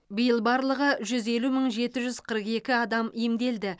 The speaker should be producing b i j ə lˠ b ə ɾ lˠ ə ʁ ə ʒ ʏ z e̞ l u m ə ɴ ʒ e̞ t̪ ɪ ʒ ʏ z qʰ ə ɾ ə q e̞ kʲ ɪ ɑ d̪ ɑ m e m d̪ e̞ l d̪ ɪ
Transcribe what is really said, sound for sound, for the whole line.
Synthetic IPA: b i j ə lˠ b ɑ ɾ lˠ ə ʁ ə ʒ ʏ z e̞ l u m ə ɴ ʒ e̞ t̪ ɪ ʒ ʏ z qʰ ə ɾ ə q e̞ kʲ ɪ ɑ d̪ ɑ m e m d̪ e̞ l d̪ ɪ